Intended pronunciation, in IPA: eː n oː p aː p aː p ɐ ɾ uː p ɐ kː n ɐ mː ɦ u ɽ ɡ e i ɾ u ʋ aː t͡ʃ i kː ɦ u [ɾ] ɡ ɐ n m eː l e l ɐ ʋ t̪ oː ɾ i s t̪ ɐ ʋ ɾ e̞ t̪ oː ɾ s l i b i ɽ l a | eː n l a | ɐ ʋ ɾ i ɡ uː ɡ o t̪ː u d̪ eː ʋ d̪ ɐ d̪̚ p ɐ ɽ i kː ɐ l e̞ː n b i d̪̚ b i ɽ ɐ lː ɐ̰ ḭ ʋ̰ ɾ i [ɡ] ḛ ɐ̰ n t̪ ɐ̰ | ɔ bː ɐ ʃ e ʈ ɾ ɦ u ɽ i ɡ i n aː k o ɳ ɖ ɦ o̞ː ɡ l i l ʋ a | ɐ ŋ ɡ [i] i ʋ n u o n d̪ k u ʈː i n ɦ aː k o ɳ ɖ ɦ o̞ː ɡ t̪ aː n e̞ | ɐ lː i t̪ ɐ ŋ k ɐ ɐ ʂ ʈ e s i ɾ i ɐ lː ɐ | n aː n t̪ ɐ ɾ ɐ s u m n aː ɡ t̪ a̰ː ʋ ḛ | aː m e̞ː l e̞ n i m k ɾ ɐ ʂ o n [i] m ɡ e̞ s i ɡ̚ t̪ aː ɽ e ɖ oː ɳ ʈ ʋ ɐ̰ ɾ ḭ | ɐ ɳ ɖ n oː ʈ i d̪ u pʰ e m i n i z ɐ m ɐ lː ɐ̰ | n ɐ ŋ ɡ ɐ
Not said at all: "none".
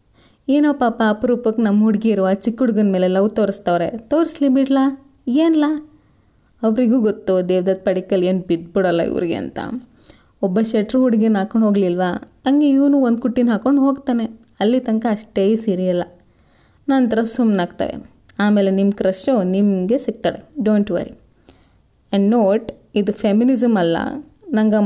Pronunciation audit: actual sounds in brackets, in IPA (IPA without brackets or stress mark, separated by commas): ɽ, ɡ, e, i